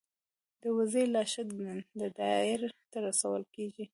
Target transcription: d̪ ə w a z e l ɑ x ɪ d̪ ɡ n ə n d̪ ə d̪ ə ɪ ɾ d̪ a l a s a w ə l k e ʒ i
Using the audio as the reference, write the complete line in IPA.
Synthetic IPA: d̪ ə w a z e l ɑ ʃ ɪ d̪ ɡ n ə n d̪ ə d̪ ɑ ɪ ɾ t̪ a ɾ a s a w ə l k e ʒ i